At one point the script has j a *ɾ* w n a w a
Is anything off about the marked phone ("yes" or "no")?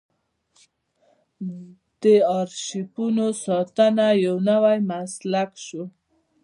yes